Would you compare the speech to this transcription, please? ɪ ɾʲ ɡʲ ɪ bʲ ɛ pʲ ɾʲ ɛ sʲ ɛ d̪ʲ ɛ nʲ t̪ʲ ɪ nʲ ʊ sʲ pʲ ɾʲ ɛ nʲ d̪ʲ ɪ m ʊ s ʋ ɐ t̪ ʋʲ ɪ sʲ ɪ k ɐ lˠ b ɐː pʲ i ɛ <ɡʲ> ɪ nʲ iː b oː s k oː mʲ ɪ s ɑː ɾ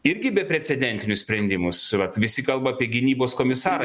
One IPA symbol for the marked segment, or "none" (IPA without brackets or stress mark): ɡʲ